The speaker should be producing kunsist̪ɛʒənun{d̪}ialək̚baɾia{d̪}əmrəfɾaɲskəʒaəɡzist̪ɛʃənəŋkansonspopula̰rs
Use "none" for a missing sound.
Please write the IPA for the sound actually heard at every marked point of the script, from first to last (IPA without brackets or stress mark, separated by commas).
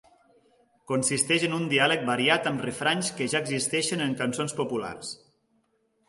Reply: d̪, t̪